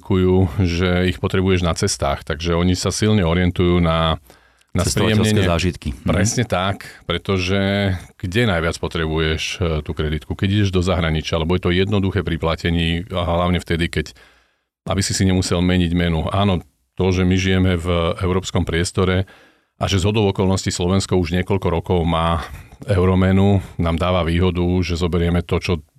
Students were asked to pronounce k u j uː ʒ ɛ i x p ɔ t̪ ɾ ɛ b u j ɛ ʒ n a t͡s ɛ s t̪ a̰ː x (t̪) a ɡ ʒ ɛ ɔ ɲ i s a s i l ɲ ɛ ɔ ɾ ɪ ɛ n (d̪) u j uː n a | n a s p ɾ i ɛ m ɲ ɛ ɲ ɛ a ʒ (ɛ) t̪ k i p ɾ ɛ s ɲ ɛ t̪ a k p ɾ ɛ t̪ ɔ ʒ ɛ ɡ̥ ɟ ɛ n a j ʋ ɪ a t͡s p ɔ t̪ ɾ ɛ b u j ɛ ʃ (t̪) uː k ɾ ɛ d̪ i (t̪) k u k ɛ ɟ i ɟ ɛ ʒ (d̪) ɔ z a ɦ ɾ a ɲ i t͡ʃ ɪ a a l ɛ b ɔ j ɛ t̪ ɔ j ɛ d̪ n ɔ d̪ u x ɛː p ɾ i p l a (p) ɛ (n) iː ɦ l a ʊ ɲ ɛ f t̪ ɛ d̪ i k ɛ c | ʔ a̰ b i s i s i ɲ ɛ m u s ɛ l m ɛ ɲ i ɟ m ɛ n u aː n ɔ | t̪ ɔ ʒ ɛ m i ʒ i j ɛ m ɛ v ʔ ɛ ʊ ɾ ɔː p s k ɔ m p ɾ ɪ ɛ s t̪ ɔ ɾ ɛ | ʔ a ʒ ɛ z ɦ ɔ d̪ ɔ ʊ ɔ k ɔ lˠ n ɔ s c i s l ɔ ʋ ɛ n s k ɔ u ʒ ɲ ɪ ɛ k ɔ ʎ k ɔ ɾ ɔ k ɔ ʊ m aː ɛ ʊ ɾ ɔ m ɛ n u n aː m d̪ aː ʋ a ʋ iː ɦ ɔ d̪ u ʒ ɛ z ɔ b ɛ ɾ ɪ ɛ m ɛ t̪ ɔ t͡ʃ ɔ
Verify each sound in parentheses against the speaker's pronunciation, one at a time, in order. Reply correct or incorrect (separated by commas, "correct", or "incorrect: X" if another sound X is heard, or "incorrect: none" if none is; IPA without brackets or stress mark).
correct, incorrect: t̪, incorrect: i, correct, correct, correct, incorrect: c, incorrect: ɲ